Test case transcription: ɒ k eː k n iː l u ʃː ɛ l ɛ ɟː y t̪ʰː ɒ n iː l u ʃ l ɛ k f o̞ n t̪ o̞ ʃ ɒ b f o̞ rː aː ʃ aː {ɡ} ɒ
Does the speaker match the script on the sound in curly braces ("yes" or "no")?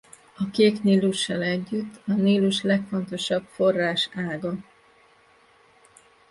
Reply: yes